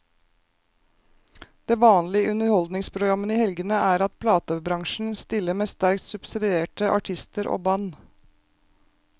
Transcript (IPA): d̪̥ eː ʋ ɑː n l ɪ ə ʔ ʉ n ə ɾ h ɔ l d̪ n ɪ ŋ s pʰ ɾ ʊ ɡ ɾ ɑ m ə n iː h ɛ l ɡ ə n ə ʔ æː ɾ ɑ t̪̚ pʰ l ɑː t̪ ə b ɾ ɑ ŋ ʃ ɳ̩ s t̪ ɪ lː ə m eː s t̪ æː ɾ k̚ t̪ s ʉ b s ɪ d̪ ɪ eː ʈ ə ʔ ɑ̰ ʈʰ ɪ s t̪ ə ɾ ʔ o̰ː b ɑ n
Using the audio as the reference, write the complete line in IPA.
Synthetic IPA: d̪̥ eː ʋ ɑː n l ɪ ə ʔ ʉ n ə ɾ h ɔ l d̪ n ɪ ŋ s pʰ ɾ ʊ ɡ ɾ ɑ m ə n iː h ɛ l ɡ ə n ə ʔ æː ɾ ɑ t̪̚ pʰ l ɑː t̪ ə b ɾ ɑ ŋ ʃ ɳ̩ s t̪ ɪ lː ə m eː s t̪ æ ɾ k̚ t̪ s ʉ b s ɪ d̪ ɪ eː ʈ ə ʔ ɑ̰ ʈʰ ɪ s t̪ ə ɾ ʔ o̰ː b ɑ n